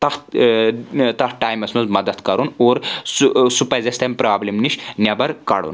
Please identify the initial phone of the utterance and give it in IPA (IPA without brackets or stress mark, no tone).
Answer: t̪